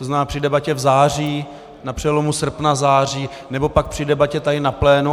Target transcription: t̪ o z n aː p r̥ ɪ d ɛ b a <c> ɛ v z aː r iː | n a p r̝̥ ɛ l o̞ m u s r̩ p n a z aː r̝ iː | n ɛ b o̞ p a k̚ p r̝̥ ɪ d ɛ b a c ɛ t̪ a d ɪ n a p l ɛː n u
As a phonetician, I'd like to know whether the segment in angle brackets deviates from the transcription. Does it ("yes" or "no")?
no